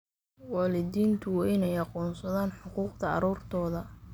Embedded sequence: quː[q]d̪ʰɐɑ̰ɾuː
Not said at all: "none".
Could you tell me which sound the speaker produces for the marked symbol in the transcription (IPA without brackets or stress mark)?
q